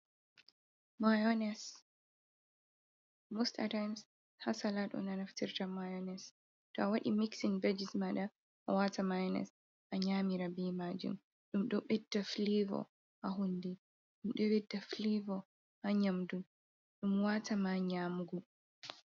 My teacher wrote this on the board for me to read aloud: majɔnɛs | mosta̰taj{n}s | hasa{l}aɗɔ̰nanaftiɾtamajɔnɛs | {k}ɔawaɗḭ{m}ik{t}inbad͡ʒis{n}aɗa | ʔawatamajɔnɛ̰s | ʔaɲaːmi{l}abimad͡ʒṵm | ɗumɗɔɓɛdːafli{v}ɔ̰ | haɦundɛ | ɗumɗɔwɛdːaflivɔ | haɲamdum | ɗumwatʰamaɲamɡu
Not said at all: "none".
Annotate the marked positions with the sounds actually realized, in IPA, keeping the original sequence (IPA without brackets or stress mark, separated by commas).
m, l, t, m, s, m, ɾ, v